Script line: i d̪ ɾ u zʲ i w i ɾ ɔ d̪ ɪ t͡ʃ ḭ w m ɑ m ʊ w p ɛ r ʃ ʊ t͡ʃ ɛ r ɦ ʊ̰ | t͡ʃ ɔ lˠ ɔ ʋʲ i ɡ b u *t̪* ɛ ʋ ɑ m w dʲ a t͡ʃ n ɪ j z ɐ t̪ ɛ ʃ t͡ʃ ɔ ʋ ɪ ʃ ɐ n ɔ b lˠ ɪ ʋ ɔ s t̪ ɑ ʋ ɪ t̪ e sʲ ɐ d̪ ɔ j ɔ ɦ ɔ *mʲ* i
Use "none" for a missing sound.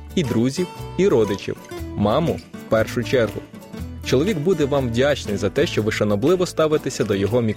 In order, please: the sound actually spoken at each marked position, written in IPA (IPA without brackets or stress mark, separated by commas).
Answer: d̪, mʲ